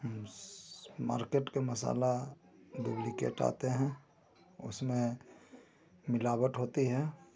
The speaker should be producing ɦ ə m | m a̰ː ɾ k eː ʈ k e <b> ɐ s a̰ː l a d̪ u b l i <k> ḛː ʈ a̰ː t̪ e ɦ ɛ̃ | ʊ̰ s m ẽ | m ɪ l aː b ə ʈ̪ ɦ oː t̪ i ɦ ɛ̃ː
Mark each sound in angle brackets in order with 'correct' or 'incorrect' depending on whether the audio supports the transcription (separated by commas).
incorrect, correct